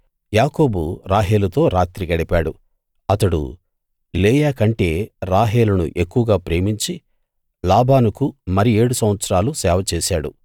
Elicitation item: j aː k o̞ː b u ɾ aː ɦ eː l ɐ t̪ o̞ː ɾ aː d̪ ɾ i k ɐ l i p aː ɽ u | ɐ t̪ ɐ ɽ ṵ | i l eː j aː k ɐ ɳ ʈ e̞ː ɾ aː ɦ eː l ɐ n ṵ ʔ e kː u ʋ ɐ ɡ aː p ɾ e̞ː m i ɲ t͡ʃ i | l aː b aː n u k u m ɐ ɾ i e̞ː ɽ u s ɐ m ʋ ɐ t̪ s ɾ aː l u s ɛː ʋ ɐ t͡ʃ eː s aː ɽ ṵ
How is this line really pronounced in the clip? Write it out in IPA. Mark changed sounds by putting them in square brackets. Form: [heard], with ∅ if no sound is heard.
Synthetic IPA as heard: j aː k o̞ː b u ɾ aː ɦ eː l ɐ t̪ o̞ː ɾ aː [t̪] ɾ i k ɐ [ɽ] i p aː ɽ u | ɐ t̪ ɐ ɽ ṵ | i l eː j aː k ɐ ɳ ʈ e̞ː ɾ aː ɦ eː l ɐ n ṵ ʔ e kː u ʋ ɐ ɡ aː p ɾ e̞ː m i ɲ t͡ʃ i | l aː b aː n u k u m ɐ ɾ i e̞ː ɽ u s ɐ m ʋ ɐ t̪ s ɾ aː l u s ɛː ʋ ɐ t͡ʃ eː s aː ɽ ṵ